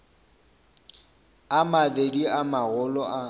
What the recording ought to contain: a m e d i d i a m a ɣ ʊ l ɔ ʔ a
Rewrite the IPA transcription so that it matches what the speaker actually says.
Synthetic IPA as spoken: a m a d e d i a m a ɣ ʊ l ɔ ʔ a